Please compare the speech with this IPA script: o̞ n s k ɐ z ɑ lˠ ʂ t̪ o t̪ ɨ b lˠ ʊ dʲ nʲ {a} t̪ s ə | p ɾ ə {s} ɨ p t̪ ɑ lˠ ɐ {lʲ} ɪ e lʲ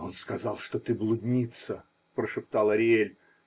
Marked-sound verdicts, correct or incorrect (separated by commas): incorrect, incorrect, incorrect